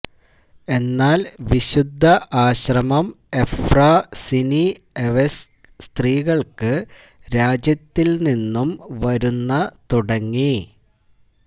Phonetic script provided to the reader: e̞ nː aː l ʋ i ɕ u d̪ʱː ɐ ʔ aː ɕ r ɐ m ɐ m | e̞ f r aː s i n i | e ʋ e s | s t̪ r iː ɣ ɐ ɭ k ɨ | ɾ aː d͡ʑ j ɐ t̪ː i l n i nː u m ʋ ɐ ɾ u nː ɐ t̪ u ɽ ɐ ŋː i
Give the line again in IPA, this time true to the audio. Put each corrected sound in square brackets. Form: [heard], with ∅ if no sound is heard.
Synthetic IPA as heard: e̞ nː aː l ʋ i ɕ u d̪ʱː ɐ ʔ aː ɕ r ɐ m ɐ m | e̞ f r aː s i n i | e ʋ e s | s t̪ r iː ɣ ɐ ɭ k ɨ | ɾ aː d͡ʑ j ɐ t̪ː i l n i nː u m ʋ ɐ ɾ u nː ɐ t̪ u ɽ ɐ ŋː i

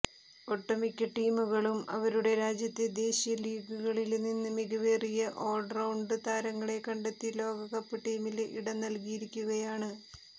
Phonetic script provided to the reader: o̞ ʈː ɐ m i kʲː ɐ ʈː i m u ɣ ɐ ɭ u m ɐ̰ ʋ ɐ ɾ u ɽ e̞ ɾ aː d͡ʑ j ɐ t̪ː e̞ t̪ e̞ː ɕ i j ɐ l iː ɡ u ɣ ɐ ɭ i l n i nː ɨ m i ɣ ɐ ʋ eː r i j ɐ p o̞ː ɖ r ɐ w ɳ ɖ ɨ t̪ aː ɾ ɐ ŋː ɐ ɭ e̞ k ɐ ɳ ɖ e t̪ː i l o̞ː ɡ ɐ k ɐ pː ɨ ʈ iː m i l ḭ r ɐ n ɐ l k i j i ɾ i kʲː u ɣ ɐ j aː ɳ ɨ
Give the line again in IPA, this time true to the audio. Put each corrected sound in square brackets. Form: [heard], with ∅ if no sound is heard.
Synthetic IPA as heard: o̞ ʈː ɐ m i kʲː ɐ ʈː [iː] m u ɣ ɐ ɭ u m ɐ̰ ʋ ɐ ɾ u ɽ e̞ ɾ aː d͡ʑ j ɐ t̪ː e̞ [d̪] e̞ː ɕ i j ɐ l iː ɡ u ɣ ɐ ɭ i l n i nː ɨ m i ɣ ɐ ʋ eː r i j ɐ [ʔ] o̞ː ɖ r ɐ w ɳ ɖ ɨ t̪ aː ɾ ɐ ŋː ɐ ɭ e̞ k ɐ ɳ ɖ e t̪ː i l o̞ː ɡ ɐ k ɐ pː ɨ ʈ iː m i l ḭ [ɽ] ɐ n ɐ l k i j i ɾ i kʲː u ɣ ɐ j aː ɳ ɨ

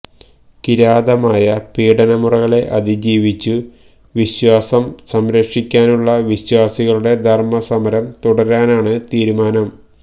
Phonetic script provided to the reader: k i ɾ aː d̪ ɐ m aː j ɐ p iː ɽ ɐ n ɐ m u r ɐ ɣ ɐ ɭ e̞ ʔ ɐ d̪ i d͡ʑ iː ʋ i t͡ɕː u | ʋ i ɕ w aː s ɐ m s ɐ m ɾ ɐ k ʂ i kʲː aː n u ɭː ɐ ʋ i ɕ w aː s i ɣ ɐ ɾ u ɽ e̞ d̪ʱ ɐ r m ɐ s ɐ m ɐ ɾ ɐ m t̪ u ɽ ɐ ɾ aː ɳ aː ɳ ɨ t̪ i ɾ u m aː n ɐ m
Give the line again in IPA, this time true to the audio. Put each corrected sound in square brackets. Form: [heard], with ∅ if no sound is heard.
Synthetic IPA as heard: k i ɾ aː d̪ ɐ m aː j ɐ p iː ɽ ɐ n ɐ m u r ɐ ɣ ɐ ɭ e̞ ʔ ɐ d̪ i d͡ʑ iː ʋ i t͡ɕː u | ʋ i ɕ w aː s ɐ m s ɐ m ɾ ɐ k ʂ i kʲː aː n u ɭː ɐ ʋ i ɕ w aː s i ɣ ɐ [ɭ] u ɽ e̞ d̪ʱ ɐ r m ɐ s ɐ m ɐ ɾ ɐ m t̪ u ɽ ɐ ɾ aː [n] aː ɳ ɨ t̪ [iː] ɾ u m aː n ɐ m

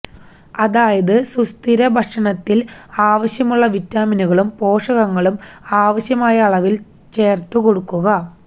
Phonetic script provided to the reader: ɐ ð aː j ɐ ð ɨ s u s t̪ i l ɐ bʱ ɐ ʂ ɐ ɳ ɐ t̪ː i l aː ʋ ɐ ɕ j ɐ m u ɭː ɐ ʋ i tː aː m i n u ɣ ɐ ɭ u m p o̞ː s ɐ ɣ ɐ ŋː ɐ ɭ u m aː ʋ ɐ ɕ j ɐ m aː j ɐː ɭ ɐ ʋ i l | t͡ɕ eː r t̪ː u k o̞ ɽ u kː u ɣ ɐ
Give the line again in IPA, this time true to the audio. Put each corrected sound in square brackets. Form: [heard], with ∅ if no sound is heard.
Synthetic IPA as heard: ɐ ð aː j ɐ ð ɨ s u s t̪ i [ɾ] ɐ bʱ ɐ ʂ ɐ ɳ ɐ t̪ː i l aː ʋ ɐ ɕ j ɐ m u ɭː ɐ ʋ i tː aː m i n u ɣ ɐ ɭ u m p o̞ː [ʂ] ɐ ɣ ɐ ŋː ɐ ɭ u m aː ʋ ɐ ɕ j ɐ m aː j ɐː ɭ ɐ ʋ i l | t͡ɕ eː r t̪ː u k o̞ ɽ u kː u ɣ ɐ

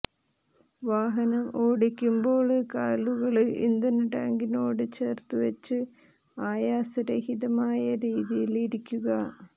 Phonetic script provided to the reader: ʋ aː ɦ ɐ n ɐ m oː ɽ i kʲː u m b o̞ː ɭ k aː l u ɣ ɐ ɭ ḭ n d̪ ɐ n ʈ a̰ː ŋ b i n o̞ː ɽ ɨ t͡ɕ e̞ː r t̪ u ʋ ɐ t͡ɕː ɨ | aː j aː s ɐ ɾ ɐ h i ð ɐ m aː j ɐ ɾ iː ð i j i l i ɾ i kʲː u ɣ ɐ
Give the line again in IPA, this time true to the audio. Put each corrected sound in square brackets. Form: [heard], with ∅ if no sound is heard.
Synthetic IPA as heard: ʋ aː ɦ ɐ n ɐ m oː ɽ i kʲː u m b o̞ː ɭ k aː l u ɣ ɐ ɭ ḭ n d̪ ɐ n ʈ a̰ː ŋ [ɡ] i n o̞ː ɽ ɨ t͡ɕ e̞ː r t̪ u ʋ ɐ t͡ɕː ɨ | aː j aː s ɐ ɾ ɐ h i ð ɐ m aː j ɐ ɾ iː ð i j i l i ɾ i kʲː u ɣ ɐ

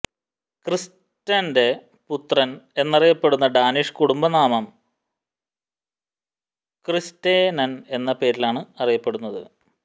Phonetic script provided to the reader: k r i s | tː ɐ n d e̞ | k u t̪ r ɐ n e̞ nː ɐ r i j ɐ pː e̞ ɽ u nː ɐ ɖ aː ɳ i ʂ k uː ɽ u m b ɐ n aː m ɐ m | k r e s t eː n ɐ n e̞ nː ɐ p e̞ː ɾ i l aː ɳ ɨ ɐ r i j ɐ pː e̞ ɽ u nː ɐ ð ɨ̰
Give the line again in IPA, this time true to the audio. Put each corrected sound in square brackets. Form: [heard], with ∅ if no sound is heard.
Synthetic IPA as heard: k r i s | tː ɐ n d e̞ | [p] u t̪ r ɐ n e̞ nː ɐ r i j ɐ pː e̞ ɽ u nː ɐ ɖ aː [n] i ʂ k [u] ɽ u m b ɐ n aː m ɐ m | k r [i] s t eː n ɐ n e̞ nː ɐ p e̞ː ɾ i l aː ɳ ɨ ɐ r i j ɐ pː e̞ ɽ u nː ɐ ð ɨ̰

